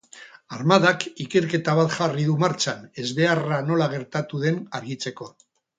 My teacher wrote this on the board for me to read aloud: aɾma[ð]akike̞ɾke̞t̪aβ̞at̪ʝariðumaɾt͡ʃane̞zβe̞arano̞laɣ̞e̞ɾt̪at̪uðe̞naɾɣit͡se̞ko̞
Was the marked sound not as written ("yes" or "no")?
no